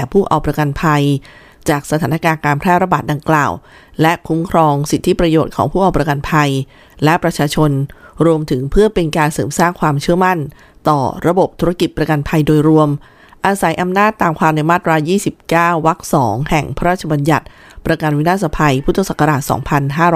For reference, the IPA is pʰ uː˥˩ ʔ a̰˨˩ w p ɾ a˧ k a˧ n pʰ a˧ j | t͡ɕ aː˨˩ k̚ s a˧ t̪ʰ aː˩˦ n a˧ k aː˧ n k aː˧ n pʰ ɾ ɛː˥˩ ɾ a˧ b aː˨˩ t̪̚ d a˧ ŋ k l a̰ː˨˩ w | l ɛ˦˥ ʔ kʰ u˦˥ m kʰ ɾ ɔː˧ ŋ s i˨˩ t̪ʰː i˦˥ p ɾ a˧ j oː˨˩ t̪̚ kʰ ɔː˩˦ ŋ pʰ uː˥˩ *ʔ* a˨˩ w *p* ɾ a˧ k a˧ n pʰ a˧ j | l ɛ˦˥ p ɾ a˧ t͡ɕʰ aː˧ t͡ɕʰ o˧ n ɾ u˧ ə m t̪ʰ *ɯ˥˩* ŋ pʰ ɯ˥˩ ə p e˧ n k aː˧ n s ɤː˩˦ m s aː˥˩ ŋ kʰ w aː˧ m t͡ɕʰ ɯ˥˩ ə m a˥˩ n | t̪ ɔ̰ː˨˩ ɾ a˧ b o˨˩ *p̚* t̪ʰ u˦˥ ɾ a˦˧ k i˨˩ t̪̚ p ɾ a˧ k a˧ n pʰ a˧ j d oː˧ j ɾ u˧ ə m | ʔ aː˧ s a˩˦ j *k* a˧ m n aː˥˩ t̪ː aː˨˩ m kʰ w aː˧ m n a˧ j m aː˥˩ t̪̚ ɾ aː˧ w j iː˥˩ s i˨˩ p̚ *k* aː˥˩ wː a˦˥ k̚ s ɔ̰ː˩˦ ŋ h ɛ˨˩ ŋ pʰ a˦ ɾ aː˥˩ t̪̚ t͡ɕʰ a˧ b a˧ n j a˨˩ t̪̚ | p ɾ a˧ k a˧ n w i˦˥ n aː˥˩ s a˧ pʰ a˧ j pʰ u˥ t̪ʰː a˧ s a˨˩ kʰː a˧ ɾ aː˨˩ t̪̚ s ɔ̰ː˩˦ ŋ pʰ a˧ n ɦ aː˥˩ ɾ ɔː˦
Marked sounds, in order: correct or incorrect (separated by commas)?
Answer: correct, correct, incorrect, correct, incorrect, correct